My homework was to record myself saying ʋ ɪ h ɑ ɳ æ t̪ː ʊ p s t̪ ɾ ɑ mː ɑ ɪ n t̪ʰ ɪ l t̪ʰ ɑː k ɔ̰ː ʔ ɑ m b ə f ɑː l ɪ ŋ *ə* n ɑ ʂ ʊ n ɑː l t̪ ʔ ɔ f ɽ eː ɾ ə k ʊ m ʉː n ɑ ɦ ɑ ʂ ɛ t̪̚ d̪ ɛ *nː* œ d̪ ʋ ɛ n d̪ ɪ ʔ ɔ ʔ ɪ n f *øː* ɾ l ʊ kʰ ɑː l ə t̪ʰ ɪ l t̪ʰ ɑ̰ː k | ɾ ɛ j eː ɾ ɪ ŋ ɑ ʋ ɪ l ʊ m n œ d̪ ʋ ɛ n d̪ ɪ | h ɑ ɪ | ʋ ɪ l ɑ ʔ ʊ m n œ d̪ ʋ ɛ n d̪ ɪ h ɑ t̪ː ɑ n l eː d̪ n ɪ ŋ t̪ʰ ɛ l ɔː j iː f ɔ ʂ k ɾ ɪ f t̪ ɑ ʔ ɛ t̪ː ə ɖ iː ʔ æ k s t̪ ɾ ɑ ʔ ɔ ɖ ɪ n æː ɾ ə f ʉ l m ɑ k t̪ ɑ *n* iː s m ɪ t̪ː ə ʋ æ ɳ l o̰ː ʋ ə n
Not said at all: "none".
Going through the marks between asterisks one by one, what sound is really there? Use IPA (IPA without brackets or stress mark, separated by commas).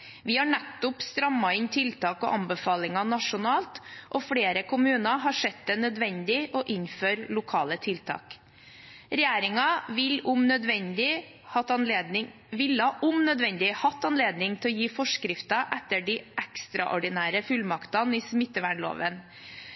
ɑ, n, øː, n